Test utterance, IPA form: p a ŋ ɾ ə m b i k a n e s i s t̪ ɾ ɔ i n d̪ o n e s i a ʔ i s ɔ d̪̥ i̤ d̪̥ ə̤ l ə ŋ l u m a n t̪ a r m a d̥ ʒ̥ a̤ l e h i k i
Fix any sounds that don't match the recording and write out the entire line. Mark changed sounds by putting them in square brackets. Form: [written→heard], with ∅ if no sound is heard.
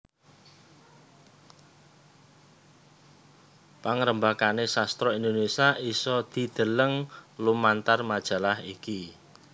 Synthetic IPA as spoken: p a ŋ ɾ ə m b [i→a] k a n e s [i→a] s t̪ ɾ ɔ i n d̪ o n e s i a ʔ i s ɔ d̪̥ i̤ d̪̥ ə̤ l ə ŋ l u m a n t̪ a r m a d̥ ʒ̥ a̤ l [e→a] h i k i